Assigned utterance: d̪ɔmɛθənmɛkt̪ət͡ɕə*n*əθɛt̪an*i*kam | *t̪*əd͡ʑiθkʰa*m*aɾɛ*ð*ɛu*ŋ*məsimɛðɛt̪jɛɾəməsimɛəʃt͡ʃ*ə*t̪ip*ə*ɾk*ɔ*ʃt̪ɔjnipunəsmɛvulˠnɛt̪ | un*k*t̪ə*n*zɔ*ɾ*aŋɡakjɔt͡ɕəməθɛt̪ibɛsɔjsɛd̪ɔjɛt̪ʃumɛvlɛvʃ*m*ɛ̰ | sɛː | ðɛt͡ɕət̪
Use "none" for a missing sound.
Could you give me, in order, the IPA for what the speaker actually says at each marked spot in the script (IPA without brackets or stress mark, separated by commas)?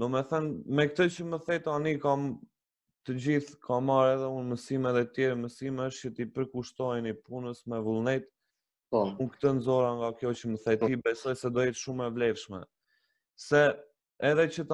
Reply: m, i, t̪, m, ð, n, ə, ə, u, k, n, ɾ, m